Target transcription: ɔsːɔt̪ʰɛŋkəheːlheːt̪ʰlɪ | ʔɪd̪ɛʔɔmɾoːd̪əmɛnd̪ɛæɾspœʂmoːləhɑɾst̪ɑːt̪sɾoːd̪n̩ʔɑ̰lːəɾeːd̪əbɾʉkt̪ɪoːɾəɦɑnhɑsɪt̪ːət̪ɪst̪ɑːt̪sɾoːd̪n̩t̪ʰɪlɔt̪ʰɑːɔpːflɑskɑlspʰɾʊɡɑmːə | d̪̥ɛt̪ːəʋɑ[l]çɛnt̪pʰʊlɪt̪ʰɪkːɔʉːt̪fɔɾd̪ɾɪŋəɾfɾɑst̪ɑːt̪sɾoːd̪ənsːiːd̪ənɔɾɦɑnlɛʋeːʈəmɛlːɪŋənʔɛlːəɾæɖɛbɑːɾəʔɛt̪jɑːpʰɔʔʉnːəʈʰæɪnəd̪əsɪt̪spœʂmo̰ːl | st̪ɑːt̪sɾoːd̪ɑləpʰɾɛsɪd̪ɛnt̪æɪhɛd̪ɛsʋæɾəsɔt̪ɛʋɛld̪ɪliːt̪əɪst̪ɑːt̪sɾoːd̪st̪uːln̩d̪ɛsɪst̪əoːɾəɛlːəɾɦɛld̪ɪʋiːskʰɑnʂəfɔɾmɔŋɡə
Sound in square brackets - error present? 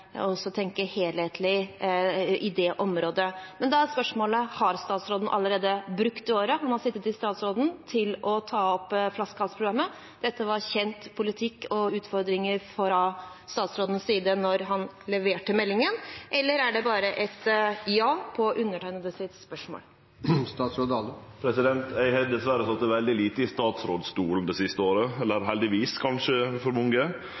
yes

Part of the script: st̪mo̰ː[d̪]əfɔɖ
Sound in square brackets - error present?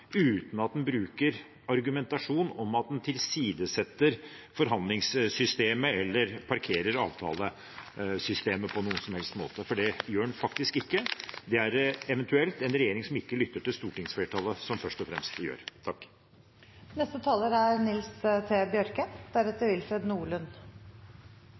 yes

